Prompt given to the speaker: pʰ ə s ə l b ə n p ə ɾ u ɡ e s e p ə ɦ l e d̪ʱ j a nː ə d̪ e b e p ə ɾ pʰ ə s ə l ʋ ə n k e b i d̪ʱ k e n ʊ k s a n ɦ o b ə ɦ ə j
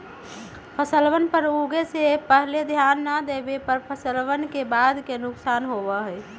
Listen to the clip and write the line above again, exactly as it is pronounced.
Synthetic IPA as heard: pʰ ə s ə l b ə n p ə ɾ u ɡ e s e p ə ɦ l e d̪ʱ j a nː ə d̪ e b e p ə ɾ pʰ ə s ə l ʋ ə n k e b a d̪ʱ k e n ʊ k s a n ɦ o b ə ɦ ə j